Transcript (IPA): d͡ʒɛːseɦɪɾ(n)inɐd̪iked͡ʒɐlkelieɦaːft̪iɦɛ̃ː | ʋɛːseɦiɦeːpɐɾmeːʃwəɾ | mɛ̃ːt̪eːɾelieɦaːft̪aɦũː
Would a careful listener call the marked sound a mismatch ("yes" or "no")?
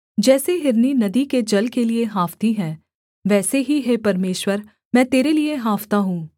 no